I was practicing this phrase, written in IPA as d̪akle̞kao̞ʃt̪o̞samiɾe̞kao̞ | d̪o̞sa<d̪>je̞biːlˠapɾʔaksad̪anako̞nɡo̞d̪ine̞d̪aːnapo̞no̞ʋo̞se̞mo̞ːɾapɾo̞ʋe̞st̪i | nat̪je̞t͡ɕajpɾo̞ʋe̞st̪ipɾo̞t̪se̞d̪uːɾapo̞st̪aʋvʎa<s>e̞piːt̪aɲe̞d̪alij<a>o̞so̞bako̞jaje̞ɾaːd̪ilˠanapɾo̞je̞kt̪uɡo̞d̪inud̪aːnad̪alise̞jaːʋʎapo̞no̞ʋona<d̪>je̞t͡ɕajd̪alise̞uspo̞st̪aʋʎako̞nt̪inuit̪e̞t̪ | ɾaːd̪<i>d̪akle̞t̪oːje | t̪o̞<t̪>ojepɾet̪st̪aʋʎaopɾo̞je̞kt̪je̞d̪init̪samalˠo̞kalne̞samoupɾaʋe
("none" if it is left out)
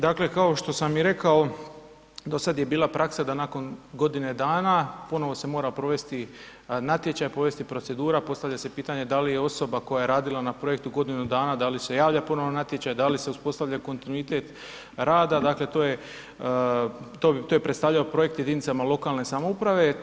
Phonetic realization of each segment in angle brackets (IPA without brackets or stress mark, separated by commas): d̪, s, e, t̪, a, t̪